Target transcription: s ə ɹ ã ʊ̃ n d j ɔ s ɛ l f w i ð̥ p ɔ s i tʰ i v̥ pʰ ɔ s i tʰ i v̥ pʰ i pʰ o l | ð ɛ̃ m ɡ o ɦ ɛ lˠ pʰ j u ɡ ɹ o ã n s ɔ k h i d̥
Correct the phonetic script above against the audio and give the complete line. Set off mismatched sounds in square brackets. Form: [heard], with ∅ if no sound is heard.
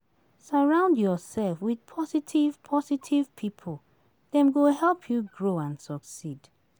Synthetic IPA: s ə ɹ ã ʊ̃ n d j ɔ s ɛ l f w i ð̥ [pʰ] ɔ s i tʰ i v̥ pʰ ɔ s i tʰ i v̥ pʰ i pʰ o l | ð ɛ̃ m ɡ o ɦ ɛ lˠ pʰ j u ɡ ɹ o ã n s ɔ k [s] i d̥